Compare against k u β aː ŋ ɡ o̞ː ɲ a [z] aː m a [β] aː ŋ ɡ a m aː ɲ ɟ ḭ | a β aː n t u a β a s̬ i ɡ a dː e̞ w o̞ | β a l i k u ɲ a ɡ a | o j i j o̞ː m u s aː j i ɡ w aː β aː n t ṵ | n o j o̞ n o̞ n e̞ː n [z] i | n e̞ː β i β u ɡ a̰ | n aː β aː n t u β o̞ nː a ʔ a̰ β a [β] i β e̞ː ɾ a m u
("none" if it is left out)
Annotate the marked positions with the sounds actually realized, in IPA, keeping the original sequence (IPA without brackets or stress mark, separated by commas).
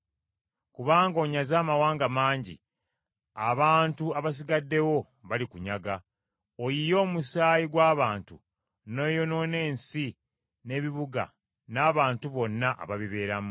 z, w, s, β